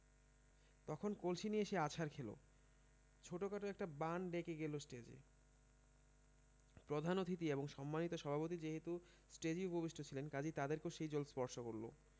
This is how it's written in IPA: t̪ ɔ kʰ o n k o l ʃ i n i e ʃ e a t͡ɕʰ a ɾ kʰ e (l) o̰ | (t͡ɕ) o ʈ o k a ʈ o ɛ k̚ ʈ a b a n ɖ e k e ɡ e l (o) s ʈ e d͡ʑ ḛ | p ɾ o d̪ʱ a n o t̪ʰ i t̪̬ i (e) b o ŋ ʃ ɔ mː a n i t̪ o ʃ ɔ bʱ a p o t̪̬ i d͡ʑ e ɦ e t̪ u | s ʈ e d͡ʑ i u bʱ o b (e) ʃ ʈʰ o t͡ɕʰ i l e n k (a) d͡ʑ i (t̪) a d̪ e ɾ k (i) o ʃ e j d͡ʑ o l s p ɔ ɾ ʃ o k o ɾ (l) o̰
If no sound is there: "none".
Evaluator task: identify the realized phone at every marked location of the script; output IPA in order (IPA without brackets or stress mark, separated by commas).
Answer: l, t͡ɕʰ, o, e, i, a, t̪, e, l